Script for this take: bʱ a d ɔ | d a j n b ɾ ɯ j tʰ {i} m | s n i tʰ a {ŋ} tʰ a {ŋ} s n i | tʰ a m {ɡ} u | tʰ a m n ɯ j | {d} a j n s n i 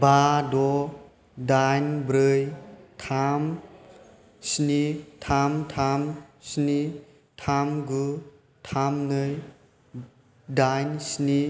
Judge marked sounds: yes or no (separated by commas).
no, no, no, yes, yes